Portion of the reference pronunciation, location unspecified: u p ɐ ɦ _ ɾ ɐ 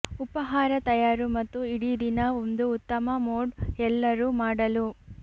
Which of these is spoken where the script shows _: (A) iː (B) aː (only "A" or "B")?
B